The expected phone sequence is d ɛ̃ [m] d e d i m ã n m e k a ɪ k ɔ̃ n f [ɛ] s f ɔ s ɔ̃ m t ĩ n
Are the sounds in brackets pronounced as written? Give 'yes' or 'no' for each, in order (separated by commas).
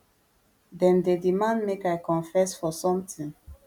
no, yes